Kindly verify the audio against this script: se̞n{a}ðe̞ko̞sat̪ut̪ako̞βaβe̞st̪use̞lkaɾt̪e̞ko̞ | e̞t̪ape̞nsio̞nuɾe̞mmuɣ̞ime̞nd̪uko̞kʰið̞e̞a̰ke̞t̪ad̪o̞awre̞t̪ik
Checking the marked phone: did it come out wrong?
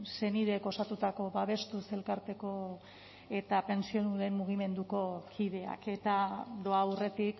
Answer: yes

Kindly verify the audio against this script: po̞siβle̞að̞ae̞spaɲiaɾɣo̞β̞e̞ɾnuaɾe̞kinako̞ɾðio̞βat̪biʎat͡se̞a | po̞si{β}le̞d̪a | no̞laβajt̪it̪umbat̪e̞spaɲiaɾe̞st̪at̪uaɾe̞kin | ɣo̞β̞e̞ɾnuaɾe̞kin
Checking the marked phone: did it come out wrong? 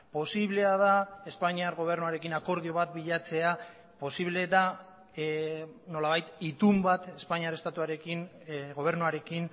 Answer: no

